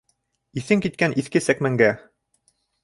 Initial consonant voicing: voiceless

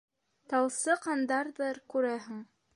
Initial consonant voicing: voiceless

